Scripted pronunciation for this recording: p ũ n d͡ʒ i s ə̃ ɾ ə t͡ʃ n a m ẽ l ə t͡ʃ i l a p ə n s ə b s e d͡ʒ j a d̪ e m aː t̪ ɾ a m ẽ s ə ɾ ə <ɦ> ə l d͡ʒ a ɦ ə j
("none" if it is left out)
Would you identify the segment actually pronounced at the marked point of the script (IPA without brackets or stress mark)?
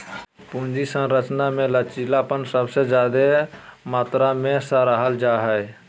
ɦ